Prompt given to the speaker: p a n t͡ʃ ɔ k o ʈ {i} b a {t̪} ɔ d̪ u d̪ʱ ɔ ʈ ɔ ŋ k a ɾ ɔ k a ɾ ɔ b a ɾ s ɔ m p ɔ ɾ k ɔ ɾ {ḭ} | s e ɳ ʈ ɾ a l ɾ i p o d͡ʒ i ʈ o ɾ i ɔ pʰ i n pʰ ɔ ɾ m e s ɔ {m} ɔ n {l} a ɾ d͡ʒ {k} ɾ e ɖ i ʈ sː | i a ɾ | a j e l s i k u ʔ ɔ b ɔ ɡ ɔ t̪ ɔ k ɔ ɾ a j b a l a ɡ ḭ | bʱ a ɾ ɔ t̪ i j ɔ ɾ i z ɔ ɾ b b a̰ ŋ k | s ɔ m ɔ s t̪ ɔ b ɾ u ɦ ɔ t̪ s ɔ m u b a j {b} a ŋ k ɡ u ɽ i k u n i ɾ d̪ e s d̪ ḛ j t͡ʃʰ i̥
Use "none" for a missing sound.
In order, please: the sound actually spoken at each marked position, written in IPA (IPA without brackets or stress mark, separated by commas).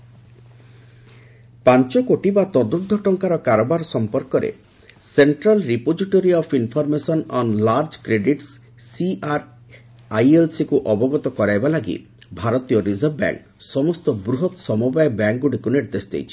i, t̪, ḛ, n, l, k, b